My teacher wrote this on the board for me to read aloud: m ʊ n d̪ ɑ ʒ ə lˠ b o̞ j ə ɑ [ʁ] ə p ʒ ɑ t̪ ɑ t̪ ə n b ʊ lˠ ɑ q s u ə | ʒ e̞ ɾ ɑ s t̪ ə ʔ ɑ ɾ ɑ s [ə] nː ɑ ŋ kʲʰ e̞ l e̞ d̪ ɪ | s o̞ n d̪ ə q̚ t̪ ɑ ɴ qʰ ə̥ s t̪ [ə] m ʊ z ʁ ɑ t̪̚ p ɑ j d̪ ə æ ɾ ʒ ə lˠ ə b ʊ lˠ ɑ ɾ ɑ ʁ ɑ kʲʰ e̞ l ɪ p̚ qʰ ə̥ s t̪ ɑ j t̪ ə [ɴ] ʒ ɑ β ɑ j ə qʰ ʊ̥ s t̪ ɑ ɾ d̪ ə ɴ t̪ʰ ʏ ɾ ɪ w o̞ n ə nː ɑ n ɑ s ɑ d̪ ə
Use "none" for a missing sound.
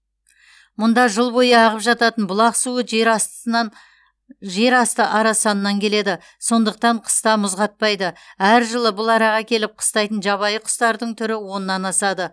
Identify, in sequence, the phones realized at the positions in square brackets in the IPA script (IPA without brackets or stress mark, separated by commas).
ʁ, ɑ, ɑ, n